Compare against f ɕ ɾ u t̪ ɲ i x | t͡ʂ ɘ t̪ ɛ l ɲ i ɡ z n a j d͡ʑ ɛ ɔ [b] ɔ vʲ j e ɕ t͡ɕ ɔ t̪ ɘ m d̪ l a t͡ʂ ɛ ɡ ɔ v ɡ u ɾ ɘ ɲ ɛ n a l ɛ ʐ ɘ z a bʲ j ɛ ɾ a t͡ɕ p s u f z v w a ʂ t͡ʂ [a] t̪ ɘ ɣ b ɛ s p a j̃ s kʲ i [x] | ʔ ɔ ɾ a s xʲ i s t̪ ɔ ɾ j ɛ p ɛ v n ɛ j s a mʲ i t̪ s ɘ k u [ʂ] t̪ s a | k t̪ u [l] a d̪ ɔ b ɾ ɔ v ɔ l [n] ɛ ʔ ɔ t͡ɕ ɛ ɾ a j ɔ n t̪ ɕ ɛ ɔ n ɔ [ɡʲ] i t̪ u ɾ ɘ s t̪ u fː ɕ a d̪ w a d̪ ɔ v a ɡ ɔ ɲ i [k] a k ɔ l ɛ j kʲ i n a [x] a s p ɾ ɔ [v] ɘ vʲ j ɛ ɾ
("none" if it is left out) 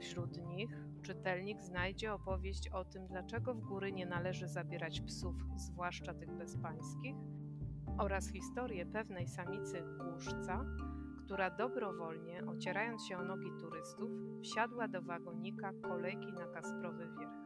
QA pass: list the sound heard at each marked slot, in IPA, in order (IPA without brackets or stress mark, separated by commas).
p, a, x, ʂ, ɾ, ɲ, ɡʲ, k, k, v